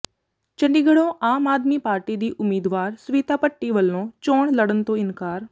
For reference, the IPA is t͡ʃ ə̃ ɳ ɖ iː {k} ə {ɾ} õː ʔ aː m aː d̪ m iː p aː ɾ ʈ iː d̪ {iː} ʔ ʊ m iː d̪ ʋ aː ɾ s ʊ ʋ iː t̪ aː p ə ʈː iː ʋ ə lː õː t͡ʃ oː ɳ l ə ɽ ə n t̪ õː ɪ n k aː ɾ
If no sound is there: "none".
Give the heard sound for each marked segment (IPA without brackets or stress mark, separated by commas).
ɡ, ɽ, iː